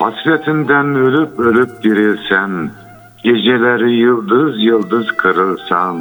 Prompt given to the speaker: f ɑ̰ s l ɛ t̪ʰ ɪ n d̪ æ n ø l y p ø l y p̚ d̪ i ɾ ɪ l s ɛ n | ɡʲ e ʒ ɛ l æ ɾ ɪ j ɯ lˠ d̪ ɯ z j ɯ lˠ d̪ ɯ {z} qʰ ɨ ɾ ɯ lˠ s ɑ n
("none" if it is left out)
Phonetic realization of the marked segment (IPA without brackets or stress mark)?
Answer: z